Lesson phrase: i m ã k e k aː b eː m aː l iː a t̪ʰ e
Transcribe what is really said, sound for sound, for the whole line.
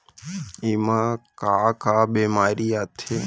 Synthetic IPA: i m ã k a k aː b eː m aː ɾ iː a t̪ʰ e